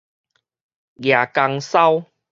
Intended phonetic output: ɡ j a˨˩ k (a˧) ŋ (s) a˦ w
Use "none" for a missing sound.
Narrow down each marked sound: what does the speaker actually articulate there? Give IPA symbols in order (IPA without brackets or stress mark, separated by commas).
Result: a˧, s